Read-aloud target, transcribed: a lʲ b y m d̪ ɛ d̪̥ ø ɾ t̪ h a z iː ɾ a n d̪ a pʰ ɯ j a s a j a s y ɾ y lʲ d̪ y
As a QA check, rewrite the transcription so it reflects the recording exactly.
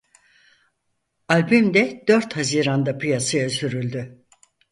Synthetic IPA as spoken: a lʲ b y m d̪ ɛ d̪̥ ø ɾ t̪ h a z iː ɾ a n d̪ a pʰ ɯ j a s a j a s y ɾ y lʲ d̪ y